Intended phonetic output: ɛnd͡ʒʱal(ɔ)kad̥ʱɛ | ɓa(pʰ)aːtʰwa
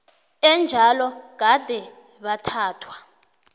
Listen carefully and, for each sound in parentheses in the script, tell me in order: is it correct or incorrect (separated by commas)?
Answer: correct, incorrect